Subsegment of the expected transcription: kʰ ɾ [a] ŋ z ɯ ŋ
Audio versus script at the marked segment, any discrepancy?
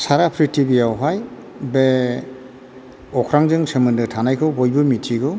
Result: no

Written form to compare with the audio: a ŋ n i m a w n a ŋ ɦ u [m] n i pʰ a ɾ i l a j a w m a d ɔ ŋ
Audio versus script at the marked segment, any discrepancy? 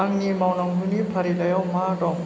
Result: yes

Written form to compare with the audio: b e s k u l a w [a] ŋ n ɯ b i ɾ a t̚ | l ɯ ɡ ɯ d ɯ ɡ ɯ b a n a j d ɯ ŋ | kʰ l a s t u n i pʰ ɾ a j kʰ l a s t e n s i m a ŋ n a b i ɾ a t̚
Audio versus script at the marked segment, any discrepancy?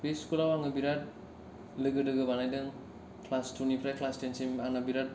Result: no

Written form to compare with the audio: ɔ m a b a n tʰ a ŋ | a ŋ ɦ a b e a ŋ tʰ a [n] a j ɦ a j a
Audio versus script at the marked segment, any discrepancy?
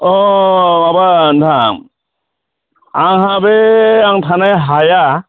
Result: no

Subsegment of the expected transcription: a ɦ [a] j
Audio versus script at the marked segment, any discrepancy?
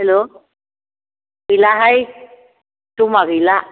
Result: no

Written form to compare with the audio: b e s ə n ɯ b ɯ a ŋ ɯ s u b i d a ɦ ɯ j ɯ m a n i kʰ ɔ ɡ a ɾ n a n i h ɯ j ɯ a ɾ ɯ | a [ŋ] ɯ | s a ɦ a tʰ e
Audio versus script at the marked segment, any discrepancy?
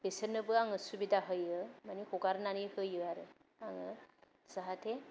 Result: no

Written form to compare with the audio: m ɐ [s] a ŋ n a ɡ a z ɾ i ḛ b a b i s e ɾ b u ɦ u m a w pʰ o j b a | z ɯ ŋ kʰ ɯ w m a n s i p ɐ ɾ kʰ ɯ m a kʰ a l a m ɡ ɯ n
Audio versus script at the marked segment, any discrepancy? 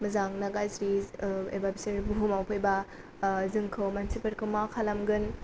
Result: yes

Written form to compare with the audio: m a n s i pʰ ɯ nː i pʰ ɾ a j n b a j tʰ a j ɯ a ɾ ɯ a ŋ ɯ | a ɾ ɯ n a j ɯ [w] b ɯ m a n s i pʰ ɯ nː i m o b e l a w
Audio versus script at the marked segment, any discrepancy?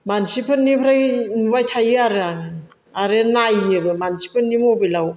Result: yes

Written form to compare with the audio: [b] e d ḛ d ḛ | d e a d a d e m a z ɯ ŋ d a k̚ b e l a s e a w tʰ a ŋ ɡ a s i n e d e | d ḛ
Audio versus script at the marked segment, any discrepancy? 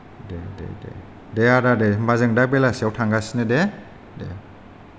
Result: yes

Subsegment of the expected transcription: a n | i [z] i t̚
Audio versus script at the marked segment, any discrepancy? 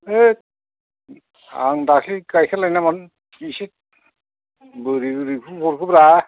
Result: yes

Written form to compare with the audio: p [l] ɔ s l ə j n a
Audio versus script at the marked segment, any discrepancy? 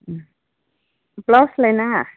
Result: no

